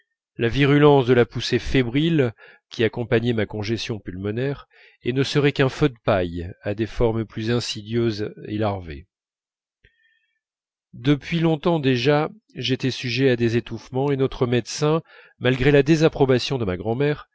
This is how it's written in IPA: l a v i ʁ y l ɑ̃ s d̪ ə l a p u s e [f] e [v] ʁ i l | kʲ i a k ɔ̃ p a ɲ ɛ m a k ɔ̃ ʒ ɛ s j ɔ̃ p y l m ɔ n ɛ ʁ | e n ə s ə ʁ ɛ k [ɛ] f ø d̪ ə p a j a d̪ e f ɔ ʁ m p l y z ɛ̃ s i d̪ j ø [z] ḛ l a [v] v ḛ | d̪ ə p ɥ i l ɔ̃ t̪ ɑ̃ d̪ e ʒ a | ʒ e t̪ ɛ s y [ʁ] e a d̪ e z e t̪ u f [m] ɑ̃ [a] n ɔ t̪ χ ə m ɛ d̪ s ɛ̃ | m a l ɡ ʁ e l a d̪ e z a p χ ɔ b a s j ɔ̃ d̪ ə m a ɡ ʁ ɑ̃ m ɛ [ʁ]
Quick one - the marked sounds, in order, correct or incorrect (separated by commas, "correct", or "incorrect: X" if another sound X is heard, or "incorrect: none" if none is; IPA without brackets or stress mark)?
correct, incorrect: b, incorrect: ɛ̃, correct, incorrect: ʁ, incorrect: ʒ, correct, incorrect: e, correct